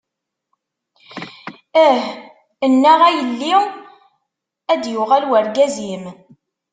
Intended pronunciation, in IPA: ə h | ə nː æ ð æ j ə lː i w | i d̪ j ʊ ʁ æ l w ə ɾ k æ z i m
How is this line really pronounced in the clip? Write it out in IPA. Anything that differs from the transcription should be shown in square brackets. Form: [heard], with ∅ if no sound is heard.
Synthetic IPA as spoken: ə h | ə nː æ [ʁ] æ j ə lː i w | [æ] d̪ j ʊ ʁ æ l w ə ɾ [ɡ] æ z i m